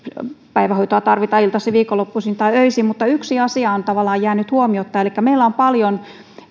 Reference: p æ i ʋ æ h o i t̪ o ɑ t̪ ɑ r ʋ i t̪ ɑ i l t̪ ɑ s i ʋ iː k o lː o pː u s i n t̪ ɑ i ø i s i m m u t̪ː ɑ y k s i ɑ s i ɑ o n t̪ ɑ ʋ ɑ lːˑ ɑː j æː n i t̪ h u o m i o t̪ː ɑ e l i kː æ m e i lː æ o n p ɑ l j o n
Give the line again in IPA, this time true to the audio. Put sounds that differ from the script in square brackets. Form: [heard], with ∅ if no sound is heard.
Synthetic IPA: p æ i ʋ æ h o i t̪ o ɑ t̪ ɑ r ʋ i t̪ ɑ i l t̪ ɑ s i ʋ iː k o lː o pː u s i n t̪ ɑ i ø i s i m m u t̪ː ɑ y k s i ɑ s i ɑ o n t̪ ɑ ʋ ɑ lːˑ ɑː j æː n [y] t̪ h u o m i o t̪ː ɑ e l i kː æ m e i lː æ o [m] p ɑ l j o n